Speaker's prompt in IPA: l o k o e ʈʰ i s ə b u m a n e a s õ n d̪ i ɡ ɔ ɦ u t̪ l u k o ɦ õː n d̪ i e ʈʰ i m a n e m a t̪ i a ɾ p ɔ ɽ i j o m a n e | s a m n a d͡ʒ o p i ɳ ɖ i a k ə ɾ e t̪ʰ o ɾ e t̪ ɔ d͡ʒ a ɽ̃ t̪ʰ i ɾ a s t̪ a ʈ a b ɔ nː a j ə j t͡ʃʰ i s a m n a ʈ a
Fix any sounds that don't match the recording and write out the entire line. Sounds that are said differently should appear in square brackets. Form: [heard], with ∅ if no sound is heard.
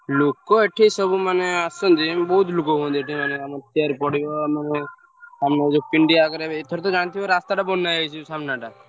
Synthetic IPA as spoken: l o k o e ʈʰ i s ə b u m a n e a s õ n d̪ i [b] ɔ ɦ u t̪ l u k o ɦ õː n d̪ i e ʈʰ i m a n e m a t̪ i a ɾ p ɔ ɽ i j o m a n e | s a m n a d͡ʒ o p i ɳ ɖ i a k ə ɾ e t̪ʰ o ɾ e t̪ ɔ d͡ʒ a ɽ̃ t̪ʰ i ɾ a s t̪ a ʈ a b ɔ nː a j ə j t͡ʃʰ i s a m n a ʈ a